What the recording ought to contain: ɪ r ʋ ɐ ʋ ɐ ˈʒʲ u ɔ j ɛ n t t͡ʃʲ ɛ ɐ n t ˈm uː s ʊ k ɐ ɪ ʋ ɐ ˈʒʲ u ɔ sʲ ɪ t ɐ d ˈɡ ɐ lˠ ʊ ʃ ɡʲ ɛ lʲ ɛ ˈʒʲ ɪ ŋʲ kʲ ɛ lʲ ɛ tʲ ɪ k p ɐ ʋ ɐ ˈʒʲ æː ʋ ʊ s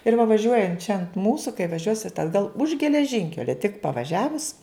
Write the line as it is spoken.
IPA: ɪ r ʋ ɐ ʋ ɐ ˈʒʲ u ɔ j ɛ n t t͡ʃʲ ɛ ɐ n t ˈm uː s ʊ k ɐ ɪ ʋ ɐ ˈʒʲ u ɔ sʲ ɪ t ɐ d ˈɡ ɐ lˠ ʊ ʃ ɡʲ ɛ lʲ ɛ ˈʒʲ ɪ ŋʲ kʲ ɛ lʲ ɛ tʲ ɪ k p ɐ ʋ ɐ ˈʒʲ æː ʋ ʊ s